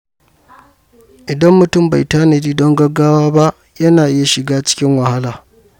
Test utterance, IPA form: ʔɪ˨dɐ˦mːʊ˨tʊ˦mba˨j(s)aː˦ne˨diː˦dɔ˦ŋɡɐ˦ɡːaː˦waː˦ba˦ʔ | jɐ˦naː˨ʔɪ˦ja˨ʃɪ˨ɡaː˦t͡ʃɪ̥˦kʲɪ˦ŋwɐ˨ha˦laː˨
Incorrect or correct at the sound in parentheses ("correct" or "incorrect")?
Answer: incorrect